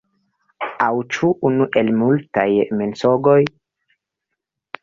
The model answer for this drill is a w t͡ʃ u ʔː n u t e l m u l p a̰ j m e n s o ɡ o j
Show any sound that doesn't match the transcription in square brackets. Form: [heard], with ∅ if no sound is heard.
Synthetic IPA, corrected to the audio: a w t͡ʃ u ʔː n u [ʔ] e l m u l [t] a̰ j m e n s o ɡ o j